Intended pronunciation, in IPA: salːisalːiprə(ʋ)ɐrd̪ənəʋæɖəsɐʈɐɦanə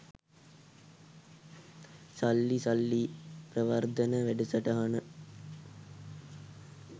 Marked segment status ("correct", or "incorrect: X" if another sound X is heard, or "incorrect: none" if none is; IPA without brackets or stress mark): correct